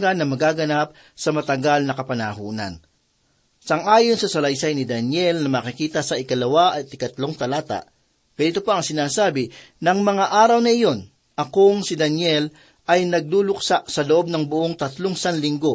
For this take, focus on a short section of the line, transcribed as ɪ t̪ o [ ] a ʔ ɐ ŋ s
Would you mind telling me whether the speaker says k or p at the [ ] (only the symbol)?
p